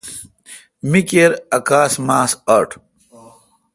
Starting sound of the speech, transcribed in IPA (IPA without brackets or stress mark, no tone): m